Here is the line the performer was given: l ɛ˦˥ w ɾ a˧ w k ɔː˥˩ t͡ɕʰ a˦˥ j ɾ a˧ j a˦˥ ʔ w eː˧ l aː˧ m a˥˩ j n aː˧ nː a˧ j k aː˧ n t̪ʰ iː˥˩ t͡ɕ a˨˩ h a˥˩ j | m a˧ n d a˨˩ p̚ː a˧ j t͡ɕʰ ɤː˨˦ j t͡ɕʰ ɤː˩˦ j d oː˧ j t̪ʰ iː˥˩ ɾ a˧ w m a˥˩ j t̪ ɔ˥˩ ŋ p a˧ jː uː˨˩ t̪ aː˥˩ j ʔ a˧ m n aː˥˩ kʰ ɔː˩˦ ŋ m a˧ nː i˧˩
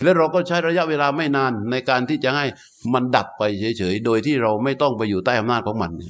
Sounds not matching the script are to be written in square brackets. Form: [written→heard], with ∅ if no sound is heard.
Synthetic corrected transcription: l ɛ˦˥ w ɾ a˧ w k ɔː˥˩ t͡ɕʰ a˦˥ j ɾ a˧ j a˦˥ ʔ w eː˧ l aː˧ m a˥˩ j n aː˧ nː a˧ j k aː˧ n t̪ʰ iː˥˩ t͡ɕ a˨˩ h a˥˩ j | m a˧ n d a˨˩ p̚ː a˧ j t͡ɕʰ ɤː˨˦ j t͡ɕʰ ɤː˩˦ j d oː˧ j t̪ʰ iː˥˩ ɾ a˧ w m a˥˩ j t̪ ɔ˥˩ ŋ p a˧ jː uː˨˩ t̪ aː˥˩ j ʔ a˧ m n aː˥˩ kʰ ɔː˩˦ ŋ m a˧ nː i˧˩